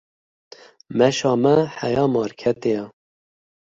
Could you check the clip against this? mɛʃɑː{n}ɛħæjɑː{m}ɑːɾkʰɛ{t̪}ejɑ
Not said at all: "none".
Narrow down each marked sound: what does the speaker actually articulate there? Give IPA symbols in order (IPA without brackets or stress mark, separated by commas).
m, m, t̪